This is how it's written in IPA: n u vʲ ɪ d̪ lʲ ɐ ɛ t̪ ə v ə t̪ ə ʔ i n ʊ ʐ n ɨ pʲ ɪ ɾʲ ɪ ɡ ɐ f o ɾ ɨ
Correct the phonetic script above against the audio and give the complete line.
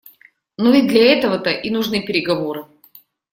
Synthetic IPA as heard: n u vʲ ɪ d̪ lʲ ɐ ɛ t̪ ə v ə t̪ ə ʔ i n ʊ ʐ n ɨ pʲ ɪ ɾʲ ɪ ɡ ɐ v o ɾ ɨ